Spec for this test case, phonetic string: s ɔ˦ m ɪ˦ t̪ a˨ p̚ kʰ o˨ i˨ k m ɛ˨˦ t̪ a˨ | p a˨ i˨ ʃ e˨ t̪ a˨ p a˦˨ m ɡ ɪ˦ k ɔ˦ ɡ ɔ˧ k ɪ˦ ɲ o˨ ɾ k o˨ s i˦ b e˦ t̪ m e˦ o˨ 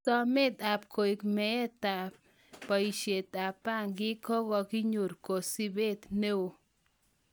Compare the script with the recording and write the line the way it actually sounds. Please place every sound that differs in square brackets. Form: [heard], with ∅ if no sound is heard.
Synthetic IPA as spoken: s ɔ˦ m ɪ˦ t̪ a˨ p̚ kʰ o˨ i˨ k m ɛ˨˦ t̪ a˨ | p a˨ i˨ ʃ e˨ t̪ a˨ p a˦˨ [ŋ] ɡ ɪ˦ k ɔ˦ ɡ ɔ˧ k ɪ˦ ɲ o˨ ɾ k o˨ s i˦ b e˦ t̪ [n] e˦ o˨